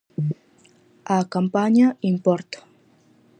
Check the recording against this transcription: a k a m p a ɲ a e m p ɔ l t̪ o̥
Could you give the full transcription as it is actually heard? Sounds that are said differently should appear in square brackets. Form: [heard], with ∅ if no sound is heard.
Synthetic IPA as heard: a k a m p a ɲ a [i] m p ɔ [ɾ] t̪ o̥